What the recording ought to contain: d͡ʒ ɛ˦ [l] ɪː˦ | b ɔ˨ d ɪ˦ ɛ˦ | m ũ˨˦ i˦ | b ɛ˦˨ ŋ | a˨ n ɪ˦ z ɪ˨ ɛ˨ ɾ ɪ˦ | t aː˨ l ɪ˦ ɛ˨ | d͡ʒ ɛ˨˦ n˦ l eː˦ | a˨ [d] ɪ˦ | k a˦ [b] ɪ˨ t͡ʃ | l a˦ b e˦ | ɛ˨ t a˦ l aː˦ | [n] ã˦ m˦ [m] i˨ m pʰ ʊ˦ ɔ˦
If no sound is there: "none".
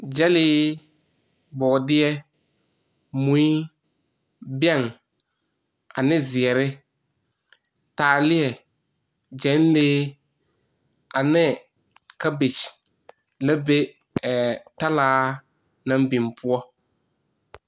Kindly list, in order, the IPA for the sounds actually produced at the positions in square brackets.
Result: l, n, b, n, b

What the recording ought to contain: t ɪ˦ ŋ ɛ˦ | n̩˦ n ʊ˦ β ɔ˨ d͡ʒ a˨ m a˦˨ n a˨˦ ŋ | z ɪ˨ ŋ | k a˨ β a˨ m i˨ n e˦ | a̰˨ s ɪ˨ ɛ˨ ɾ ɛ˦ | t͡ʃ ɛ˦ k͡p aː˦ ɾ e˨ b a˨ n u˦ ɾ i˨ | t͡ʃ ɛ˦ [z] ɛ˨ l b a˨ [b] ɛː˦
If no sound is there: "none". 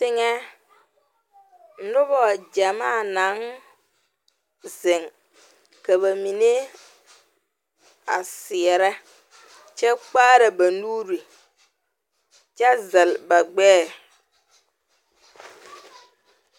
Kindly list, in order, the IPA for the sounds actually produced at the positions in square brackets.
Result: z, ɡ͡b

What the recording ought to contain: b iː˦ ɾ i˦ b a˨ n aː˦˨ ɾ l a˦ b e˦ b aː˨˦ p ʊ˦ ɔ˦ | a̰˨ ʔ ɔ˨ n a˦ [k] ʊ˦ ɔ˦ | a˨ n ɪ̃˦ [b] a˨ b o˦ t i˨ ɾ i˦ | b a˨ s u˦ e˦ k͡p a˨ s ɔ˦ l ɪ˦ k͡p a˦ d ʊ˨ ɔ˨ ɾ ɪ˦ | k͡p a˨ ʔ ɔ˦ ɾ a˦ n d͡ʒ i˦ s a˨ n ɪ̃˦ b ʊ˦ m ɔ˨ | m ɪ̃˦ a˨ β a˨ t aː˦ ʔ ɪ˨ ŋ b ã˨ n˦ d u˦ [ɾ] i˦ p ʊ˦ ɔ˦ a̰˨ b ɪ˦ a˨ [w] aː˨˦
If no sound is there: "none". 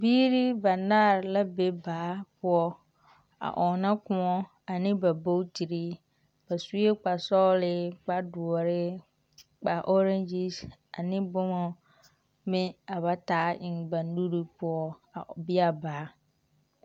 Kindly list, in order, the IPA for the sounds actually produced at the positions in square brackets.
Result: k, b, ɾ, b

